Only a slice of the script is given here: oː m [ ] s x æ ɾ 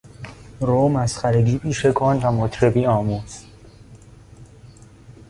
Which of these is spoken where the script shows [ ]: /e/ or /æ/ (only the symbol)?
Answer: æ